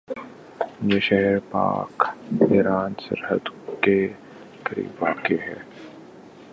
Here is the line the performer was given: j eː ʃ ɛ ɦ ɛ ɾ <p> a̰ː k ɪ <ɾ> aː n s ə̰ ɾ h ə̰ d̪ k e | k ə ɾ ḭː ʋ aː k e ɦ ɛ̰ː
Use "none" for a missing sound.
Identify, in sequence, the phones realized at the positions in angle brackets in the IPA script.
p, ɾ

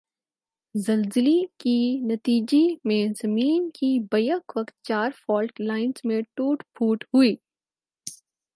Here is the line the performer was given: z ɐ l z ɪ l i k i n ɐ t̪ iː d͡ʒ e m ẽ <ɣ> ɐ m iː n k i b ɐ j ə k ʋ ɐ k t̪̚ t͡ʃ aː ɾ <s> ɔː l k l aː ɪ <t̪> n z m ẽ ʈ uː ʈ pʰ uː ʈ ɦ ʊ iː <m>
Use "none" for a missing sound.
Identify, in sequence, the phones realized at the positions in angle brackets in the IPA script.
z, f, none, none

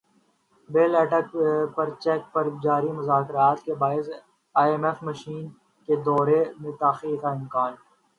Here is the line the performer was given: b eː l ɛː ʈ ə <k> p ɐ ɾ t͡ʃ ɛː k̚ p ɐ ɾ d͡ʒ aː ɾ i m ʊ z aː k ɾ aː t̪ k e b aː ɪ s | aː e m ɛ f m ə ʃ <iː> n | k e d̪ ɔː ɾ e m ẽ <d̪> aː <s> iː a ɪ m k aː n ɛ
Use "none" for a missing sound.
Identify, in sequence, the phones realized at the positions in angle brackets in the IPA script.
k, iː, t̪, x

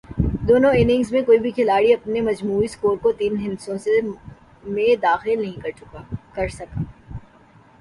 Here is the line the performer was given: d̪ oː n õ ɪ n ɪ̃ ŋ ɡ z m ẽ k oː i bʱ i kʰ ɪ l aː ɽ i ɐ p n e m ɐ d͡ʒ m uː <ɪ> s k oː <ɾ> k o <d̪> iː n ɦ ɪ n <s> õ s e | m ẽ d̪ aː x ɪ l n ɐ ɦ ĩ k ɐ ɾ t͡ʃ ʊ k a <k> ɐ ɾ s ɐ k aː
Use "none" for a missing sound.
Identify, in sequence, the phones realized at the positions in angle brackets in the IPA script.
i, ɾ, t̪, s, k

